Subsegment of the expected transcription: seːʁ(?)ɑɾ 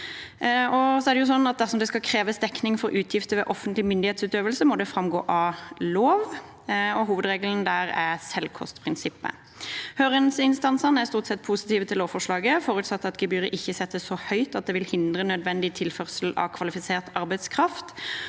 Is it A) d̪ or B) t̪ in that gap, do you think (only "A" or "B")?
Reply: B